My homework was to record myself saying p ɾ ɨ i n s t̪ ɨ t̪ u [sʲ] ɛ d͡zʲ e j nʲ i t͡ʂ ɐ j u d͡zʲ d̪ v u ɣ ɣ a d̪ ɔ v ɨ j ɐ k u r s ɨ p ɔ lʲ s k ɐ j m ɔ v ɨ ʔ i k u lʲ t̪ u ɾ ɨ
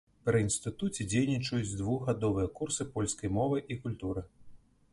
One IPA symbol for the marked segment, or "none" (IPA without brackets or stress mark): t͡sʲ